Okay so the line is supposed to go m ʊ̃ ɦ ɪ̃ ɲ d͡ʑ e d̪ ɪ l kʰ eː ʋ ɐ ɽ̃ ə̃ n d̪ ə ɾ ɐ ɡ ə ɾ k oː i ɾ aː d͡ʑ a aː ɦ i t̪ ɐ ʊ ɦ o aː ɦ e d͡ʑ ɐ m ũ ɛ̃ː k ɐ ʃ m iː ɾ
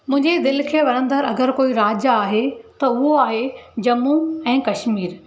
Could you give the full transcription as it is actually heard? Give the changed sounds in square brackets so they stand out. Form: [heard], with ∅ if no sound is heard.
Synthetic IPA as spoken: m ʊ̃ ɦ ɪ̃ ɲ d͡ʑ e d̪ ɪ l kʰ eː ʋ ɐ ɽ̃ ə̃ n d̪ ə ɾ ɐ ɡ ə ɾ k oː i ɾ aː d͡ʑ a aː ɦ [e] t̪ ɐ ʊ ɦ o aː ɦ e d͡ʑ ɐ m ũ ɛ̃ː k ɐ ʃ m iː ɾ